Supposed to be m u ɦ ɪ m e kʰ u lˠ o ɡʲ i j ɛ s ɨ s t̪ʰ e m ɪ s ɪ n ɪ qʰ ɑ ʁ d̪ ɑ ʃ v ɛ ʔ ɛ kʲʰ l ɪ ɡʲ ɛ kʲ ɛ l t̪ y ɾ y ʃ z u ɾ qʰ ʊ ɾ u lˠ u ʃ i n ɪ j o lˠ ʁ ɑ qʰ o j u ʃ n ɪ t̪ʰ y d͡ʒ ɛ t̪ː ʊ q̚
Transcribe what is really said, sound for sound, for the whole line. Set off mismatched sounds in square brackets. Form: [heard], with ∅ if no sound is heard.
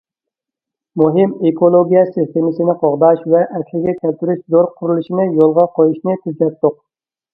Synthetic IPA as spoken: m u ɦ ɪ m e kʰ [o] lˠ o ɡʲ i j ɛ s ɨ s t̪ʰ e m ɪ s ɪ n ɪ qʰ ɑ ʁ d̪ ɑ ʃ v ɛ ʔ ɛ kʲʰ l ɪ ɡʲ ɛ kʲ ɛ l t̪ y ɾ y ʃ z [o] ɾ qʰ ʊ ɾ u lˠ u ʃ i n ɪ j o lˠ ʁ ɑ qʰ o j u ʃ n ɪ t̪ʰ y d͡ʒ ɛ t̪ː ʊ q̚